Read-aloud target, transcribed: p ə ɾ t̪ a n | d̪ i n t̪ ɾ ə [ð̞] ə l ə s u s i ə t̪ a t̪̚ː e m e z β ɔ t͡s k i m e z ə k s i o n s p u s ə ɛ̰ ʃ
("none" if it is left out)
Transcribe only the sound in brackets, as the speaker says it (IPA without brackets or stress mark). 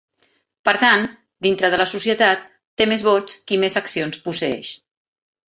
ð̞